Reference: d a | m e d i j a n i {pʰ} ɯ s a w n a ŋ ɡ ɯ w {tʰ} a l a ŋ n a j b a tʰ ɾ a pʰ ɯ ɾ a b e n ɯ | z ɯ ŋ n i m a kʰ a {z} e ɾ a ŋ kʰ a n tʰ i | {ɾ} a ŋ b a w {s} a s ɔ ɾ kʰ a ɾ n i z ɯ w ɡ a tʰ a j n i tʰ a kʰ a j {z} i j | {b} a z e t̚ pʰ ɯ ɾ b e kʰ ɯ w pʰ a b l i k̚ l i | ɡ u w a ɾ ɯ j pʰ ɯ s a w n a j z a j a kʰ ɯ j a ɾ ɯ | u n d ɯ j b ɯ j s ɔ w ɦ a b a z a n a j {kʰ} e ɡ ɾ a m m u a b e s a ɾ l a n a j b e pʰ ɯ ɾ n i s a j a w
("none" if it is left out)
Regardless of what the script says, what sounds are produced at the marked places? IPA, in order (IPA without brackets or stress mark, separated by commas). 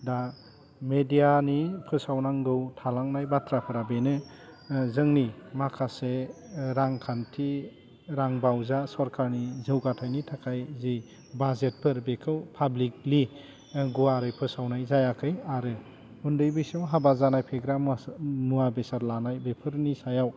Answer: pʰ, tʰ, s, ɾ, z, z, b, pʰ